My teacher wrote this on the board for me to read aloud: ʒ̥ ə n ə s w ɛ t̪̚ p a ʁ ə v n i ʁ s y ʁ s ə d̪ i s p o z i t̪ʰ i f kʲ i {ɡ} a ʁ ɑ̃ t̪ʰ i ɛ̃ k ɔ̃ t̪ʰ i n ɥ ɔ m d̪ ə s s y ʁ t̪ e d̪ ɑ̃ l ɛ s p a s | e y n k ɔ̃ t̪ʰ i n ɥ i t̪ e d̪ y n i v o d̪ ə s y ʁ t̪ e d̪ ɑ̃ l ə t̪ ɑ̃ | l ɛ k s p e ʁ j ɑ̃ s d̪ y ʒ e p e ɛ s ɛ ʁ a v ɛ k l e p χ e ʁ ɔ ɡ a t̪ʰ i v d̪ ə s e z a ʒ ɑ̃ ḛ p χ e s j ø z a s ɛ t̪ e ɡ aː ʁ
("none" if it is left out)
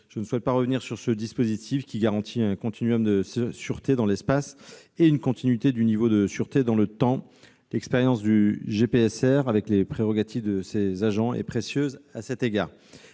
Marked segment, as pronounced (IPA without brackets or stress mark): ɡ